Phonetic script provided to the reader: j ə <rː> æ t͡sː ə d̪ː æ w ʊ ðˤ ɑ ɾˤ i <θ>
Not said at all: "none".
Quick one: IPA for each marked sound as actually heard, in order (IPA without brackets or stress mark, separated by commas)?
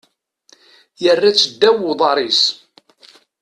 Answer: rː, s